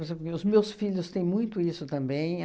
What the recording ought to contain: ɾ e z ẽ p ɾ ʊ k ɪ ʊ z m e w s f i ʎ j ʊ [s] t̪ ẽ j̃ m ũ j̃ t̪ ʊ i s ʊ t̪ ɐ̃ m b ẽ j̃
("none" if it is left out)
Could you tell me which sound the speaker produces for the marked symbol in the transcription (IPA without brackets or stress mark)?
s